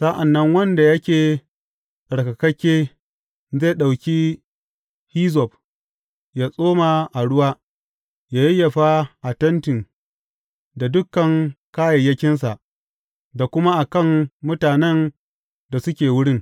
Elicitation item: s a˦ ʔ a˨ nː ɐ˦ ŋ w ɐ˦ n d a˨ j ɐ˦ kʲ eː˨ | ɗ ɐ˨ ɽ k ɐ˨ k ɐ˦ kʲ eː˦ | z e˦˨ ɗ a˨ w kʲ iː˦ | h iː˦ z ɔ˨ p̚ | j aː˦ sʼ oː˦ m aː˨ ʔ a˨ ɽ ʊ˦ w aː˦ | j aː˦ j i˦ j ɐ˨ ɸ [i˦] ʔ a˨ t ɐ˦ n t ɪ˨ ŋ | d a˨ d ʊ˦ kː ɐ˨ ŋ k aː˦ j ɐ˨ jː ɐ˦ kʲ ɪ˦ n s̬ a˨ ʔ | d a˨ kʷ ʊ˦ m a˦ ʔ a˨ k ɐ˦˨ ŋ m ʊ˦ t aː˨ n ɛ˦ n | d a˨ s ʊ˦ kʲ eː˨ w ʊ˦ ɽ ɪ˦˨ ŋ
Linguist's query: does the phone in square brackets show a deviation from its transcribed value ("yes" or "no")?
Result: yes